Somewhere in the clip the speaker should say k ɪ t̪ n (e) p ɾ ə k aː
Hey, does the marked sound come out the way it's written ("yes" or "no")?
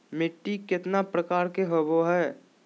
no